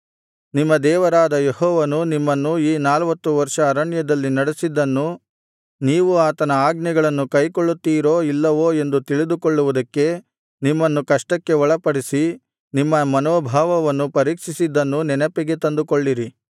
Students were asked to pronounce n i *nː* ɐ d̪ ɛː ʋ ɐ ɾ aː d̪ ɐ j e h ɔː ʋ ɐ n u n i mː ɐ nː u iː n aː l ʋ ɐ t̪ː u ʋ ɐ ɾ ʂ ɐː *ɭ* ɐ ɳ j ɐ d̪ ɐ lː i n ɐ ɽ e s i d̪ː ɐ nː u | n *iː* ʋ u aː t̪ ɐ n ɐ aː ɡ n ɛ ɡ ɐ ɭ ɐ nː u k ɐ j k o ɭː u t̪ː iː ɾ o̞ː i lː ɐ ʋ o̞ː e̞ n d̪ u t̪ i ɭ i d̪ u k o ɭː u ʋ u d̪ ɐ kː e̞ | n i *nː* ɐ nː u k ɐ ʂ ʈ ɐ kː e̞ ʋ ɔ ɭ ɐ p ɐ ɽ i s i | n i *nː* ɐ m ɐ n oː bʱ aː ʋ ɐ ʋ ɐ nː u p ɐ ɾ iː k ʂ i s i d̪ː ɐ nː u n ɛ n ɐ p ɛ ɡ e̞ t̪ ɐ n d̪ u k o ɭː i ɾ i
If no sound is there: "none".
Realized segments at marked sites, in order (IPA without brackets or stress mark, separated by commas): mː, ɾ, iː, mː, mː